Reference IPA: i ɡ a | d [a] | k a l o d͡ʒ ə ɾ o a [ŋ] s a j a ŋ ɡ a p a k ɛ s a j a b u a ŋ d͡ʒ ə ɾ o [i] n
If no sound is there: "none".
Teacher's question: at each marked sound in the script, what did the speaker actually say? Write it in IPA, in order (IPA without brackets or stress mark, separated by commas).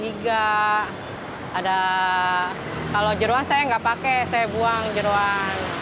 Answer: a, n, a